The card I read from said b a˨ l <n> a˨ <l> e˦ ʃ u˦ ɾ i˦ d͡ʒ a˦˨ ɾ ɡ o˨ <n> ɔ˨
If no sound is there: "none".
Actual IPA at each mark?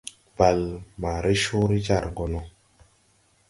m, ɾ, n

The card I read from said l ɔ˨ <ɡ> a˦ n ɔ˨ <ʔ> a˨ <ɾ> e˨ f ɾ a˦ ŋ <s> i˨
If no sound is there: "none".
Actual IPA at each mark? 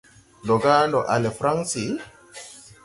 ɡ, ʔ, l, s

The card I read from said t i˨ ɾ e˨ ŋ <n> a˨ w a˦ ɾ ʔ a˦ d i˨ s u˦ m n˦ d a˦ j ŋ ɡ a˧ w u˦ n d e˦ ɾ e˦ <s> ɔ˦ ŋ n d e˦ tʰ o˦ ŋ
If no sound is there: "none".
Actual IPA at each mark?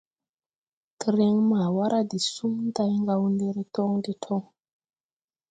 m, t

